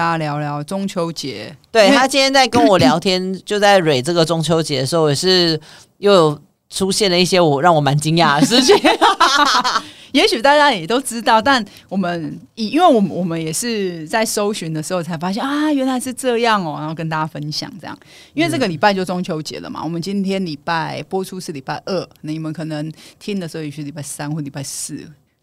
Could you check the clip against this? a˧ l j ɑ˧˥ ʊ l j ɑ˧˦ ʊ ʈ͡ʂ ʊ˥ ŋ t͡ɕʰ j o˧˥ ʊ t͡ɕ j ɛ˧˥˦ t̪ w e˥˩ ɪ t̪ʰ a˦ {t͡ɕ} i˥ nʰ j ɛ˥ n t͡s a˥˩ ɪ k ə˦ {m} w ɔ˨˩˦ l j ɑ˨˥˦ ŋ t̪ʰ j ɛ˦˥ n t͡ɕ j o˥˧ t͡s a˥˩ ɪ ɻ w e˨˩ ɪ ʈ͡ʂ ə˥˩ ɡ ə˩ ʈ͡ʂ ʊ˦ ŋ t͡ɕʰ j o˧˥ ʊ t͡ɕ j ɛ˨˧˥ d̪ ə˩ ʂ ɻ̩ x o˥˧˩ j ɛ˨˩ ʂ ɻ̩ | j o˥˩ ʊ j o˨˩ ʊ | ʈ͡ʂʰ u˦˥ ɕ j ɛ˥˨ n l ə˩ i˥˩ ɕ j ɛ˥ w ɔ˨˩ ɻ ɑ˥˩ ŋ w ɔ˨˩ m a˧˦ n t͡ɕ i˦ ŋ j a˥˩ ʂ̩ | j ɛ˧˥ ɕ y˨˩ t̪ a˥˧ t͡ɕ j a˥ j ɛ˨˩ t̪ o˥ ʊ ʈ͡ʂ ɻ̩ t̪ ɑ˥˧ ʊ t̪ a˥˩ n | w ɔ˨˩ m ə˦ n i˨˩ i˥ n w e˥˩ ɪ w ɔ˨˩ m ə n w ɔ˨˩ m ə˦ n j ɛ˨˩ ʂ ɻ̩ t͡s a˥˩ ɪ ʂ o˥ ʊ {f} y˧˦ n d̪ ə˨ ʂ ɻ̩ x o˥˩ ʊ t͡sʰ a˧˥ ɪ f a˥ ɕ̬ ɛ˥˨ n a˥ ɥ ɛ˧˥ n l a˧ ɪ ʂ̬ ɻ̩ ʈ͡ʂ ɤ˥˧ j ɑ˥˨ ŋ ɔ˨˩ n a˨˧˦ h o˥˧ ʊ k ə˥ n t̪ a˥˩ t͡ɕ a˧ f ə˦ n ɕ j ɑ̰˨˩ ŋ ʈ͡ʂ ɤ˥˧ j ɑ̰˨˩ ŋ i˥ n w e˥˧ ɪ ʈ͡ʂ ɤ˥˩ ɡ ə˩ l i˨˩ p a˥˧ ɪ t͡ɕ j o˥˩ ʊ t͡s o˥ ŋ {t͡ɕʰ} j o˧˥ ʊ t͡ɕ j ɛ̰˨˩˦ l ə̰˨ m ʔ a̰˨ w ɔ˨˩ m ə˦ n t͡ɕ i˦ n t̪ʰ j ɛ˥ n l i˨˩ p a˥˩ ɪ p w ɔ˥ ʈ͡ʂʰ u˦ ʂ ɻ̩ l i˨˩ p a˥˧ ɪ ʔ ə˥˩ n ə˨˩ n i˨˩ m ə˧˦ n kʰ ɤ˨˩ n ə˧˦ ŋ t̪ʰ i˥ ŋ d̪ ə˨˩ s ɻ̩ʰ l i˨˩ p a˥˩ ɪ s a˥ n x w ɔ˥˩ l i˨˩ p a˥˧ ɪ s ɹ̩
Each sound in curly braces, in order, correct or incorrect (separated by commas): correct, incorrect, incorrect, correct